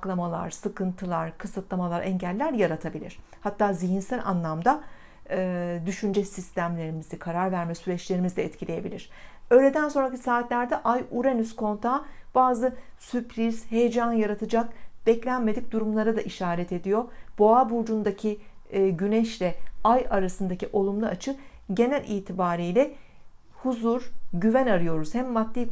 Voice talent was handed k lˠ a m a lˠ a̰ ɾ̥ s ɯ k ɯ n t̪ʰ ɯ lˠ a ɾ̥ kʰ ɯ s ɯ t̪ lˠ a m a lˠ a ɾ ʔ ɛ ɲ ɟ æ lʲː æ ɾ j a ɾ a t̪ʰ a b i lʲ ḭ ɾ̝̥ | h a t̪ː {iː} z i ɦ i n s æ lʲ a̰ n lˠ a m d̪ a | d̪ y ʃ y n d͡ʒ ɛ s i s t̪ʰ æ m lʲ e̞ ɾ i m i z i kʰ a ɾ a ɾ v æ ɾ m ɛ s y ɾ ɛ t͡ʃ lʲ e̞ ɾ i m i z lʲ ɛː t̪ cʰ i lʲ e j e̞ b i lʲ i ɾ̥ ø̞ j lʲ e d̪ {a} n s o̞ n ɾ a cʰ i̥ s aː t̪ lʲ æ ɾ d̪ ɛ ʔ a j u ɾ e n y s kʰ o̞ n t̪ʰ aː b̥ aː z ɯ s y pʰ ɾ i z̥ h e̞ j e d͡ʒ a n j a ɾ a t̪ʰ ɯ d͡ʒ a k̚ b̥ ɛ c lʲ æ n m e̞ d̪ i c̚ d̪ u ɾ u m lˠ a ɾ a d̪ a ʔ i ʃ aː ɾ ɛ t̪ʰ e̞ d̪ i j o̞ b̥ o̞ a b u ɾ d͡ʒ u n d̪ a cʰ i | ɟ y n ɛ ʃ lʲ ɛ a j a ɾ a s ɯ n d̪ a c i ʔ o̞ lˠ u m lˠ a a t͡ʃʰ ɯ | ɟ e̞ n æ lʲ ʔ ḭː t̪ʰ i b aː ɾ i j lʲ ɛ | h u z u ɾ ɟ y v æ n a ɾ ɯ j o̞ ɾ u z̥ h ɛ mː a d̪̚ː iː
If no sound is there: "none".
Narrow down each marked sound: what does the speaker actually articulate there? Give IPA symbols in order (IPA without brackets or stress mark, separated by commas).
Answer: aː, æ